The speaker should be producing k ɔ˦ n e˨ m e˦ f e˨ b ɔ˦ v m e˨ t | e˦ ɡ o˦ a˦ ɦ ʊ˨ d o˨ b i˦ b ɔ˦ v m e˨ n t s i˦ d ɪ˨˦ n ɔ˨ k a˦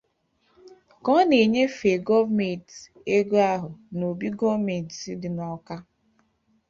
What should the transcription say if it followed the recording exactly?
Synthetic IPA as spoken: k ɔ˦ n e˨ ɲ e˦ f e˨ ɡ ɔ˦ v m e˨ t | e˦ ɡ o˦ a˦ ɦ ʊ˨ n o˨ b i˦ ɡ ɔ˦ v m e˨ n t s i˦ d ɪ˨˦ n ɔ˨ k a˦